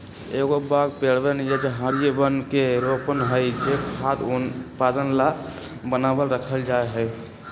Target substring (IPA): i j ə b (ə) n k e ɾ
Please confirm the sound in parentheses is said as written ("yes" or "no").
yes